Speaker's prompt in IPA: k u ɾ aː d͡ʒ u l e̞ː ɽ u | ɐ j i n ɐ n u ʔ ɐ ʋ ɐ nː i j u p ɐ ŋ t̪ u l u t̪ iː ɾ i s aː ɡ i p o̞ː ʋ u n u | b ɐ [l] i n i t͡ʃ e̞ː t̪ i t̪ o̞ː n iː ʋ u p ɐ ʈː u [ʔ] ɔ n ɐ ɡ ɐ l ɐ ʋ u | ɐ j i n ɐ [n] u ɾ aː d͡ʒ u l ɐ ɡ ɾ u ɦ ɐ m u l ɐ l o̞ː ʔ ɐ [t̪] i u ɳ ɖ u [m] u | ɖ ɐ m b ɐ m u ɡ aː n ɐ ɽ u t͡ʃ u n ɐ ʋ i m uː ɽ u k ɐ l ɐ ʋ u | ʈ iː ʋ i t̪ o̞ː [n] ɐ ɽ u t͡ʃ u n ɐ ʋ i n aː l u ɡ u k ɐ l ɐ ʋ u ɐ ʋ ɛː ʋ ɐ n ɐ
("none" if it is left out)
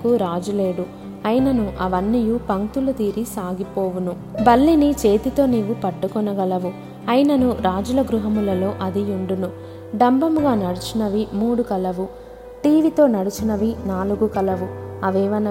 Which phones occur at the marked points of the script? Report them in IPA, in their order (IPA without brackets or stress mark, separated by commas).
lː, k, n, d̪, n, n